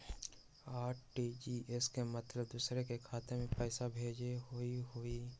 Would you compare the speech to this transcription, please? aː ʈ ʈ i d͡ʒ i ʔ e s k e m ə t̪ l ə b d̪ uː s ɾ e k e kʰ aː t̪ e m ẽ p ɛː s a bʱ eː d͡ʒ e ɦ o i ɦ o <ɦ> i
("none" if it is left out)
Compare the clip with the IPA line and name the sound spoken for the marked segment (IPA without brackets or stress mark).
none